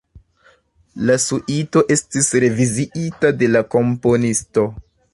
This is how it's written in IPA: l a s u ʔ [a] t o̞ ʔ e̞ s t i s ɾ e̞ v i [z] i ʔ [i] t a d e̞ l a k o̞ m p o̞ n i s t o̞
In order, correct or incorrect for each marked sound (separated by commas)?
incorrect, correct, correct